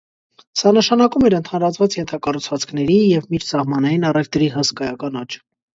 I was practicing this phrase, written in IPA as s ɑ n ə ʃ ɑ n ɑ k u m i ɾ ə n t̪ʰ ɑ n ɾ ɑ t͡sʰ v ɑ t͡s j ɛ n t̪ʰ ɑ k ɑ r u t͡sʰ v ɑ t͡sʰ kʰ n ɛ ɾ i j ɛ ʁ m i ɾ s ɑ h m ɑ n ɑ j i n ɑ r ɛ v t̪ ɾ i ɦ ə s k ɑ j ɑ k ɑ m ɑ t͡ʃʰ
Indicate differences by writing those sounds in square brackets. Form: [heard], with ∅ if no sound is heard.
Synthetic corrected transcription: s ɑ n ə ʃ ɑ n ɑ k u m [ɛ] ɾ ə n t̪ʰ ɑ n ɾ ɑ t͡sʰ v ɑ t͡s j ɛ n t̪ʰ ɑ k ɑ r u t͡sʰ v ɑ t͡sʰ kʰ n ɛ ɾ i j ɛ [v] m i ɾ s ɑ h m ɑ n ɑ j i n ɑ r ɛ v t̪ ɾ i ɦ ə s k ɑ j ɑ k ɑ [n] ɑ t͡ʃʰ